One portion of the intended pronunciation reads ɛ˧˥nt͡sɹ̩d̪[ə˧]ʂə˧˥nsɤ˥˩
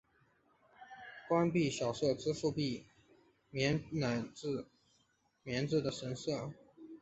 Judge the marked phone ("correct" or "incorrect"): incorrect